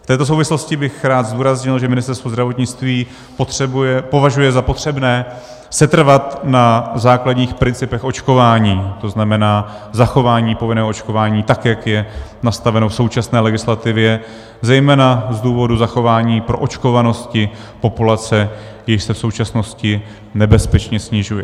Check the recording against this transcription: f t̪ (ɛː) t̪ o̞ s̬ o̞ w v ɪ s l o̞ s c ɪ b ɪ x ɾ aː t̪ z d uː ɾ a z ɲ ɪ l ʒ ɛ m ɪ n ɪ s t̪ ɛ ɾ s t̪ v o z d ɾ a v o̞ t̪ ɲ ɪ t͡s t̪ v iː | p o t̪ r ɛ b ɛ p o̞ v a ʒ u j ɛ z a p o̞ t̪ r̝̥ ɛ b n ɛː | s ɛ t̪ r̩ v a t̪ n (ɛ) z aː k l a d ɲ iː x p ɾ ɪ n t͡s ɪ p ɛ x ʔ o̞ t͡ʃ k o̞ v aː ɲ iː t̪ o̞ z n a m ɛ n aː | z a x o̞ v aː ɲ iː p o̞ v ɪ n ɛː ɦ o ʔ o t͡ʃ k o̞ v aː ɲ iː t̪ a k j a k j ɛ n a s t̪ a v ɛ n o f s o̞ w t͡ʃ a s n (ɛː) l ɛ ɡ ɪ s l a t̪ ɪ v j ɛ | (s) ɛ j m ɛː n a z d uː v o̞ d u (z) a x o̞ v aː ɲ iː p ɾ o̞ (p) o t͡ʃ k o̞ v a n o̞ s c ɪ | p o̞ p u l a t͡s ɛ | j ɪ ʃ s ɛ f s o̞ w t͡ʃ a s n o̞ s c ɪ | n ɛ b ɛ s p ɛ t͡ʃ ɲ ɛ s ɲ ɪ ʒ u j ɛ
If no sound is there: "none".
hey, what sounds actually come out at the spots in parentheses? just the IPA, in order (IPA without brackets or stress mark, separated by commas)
ɛː, a, ɛː, z, z, ʔ